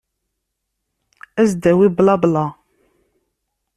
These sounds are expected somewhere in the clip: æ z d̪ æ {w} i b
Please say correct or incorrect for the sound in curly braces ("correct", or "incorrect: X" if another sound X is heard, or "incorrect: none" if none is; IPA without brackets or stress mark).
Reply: correct